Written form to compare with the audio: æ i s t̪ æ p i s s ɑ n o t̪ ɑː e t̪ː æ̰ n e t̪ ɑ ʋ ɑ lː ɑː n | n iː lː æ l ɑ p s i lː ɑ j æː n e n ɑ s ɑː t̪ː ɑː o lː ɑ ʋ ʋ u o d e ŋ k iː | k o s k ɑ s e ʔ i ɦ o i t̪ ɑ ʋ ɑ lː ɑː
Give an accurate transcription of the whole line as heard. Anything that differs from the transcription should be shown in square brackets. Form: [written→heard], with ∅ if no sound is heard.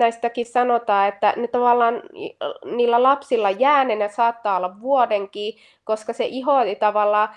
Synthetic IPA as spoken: æ i s t̪ æ [p→k] i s s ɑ n o t̪ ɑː e t̪ː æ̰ n e t̪ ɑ ʋ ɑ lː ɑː n | n iː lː æ l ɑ p s i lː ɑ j æː n e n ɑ s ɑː t̪ː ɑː o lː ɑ ʋ ʋ u o d e ŋ k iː | k o s k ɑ s e ʔ i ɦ o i t̪ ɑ ʋ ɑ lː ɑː